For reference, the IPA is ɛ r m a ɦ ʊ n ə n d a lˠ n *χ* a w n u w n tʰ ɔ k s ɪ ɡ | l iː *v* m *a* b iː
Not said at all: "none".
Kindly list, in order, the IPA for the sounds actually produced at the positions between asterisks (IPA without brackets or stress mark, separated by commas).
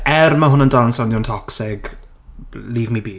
s, v, i